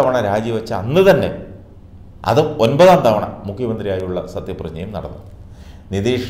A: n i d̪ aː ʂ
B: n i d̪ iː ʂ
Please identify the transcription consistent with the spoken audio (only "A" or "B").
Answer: B